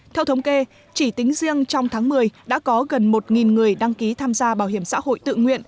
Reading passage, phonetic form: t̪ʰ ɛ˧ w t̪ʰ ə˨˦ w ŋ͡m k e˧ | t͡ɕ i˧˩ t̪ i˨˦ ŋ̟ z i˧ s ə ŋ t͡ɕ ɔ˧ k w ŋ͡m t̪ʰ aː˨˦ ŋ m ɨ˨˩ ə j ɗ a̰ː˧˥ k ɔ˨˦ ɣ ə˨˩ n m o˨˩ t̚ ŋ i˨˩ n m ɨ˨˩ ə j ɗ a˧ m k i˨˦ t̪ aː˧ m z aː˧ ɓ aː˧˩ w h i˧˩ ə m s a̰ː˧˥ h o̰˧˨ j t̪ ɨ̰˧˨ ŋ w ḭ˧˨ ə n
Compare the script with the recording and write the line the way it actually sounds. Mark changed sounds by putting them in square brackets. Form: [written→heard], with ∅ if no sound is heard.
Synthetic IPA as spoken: t̪ʰ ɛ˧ w t̪ʰ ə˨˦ w ŋ͡m k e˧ | t͡ɕ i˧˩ t̪ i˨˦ ŋ̟ z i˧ [s→∅] ə ŋ t͡ɕ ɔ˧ [k→∅] w ŋ͡m t̪ʰ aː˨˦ ŋ m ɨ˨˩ ə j ɗ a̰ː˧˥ k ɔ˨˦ ɣ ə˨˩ n m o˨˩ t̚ ŋ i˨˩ n [m→ŋ] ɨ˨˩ ə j ɗ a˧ [m→ŋ] k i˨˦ [t̪→t̪ʰ] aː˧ m z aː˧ ɓ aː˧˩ w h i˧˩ ə m s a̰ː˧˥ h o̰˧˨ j t̪ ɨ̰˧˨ ŋ w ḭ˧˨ ə n